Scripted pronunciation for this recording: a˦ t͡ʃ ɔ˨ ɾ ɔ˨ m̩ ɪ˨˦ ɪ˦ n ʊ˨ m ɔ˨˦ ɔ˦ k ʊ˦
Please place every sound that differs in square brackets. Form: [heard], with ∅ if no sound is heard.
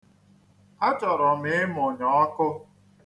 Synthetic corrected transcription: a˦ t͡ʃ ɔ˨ ɾ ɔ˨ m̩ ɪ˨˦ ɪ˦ [m] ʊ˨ [ɲ] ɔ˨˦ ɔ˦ k ʊ˦